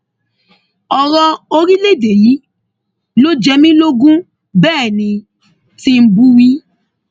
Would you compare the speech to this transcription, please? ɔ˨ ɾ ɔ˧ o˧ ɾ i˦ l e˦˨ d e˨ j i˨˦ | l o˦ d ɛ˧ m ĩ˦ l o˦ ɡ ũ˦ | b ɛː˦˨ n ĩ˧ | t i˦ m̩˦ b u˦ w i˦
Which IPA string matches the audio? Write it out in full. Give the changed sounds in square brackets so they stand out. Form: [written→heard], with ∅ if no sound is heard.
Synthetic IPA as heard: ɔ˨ ɾ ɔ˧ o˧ ɾ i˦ l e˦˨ d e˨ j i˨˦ | l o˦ [d→d͡ʒ] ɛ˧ m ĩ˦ l o˦ ɡ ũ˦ | b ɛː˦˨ n ĩ˧ | t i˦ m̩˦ b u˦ w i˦